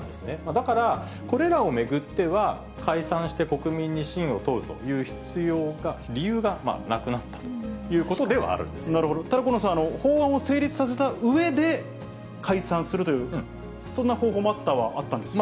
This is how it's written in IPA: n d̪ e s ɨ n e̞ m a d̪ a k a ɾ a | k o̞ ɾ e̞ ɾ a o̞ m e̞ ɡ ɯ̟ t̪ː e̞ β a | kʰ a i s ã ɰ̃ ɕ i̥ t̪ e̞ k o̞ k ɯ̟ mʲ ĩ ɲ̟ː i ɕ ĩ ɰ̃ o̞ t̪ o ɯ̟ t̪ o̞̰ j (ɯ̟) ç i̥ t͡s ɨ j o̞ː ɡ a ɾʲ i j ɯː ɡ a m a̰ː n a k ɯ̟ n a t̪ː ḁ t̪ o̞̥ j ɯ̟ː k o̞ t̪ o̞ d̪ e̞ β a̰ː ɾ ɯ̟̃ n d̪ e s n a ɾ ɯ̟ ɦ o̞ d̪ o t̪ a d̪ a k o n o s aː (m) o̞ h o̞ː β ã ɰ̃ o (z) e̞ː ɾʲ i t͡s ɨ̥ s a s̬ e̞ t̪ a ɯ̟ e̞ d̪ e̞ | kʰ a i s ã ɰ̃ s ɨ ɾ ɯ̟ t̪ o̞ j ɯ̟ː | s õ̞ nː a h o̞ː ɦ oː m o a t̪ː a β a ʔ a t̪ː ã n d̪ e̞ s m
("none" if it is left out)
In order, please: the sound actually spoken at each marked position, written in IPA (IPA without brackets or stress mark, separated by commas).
ɯ̟ː, n, s